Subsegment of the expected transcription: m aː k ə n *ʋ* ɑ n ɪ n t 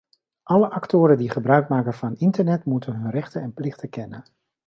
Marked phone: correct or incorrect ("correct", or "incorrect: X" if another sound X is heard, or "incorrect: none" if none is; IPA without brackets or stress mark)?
incorrect: v